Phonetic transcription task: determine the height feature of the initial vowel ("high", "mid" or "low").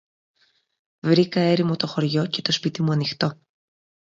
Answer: high